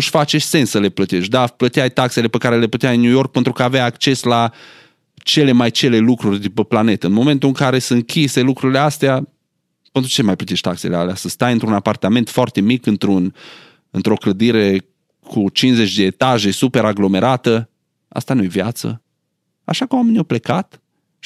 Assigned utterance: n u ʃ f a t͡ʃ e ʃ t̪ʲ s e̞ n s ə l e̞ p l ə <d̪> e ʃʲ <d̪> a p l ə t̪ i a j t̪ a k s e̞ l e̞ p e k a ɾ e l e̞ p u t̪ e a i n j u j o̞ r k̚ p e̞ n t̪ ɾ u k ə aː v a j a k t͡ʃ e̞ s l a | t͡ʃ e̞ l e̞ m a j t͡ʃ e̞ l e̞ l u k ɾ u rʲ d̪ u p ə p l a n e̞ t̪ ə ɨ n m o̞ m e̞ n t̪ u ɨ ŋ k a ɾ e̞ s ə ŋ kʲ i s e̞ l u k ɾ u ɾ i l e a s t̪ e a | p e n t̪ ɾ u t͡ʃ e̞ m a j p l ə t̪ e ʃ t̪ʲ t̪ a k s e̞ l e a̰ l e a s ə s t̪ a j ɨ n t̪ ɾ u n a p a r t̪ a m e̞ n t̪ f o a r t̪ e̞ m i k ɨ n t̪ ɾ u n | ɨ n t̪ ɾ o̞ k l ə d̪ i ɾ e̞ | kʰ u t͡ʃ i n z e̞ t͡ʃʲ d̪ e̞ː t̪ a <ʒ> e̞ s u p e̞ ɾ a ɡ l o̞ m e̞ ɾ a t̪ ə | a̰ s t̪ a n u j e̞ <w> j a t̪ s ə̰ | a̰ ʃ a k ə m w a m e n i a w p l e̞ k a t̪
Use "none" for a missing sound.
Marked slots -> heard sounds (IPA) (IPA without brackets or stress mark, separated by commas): t̪, d̪, ʒ, v